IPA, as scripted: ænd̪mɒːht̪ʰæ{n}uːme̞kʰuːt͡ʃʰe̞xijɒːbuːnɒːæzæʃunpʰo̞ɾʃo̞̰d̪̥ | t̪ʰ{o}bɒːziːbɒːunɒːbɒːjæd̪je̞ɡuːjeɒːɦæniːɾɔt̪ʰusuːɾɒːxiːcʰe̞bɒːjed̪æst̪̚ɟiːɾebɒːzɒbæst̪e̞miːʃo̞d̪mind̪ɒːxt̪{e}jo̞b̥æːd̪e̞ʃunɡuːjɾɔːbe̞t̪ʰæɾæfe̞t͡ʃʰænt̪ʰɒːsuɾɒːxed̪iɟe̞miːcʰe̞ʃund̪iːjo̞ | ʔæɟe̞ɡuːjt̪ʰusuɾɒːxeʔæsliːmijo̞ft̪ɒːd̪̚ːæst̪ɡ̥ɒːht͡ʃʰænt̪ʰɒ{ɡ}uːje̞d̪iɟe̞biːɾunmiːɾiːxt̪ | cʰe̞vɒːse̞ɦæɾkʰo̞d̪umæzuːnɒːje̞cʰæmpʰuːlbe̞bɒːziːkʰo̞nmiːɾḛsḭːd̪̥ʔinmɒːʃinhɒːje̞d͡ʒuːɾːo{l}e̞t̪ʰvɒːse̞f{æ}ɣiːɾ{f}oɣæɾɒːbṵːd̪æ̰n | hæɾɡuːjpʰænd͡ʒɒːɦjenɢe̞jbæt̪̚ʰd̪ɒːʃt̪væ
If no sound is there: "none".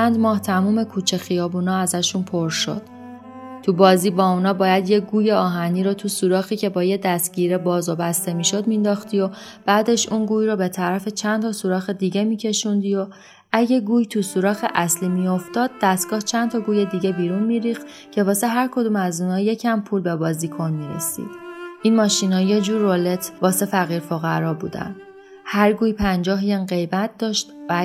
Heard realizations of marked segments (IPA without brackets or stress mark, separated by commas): m, u, i, ɡ, l, æ, f